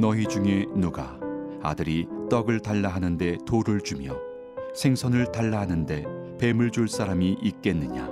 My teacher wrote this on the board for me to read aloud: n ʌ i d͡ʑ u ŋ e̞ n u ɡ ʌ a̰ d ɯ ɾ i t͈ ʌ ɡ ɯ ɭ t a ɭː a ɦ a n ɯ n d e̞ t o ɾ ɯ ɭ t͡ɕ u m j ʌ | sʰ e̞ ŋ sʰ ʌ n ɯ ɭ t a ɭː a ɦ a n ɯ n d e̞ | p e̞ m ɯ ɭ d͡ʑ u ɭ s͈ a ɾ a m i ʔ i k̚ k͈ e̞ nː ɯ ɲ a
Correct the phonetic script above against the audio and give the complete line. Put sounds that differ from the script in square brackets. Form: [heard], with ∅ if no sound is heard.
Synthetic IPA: n ʌ i d͡ʑ u ŋ e̞ n u ɡ [a] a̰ d ɯ ɾ i t͈ ʌ ɡ ɯ ɭ t a ɭː a ɦ a n ɯ n d e̞ t o ɾ ɯ ɭ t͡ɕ u m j ʌ | sʰ e̞ ŋ sʰ ʌ n ɯ ɭ t a ɭː a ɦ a n ɯ n d e̞ | p e̞ m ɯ ɭ d͡ʑ u ɭ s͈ a ɾ a m i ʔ i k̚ k͈ e̞ nː ɯ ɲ a